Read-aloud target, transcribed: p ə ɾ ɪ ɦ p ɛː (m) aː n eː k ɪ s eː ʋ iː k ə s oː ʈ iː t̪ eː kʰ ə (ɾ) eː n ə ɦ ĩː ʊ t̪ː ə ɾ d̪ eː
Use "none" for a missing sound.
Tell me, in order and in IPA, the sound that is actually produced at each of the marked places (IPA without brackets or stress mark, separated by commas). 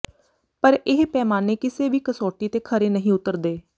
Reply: m, ɾ